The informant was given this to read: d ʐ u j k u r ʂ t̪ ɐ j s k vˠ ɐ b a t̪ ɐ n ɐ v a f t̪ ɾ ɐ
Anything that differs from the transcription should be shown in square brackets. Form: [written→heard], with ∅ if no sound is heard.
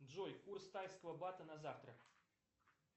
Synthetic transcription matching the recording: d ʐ [u→ɔ] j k u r [ʂ→s] t̪ [ɐ→a] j s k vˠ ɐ b a t̪ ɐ n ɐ [v→z] a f t̪ ɾ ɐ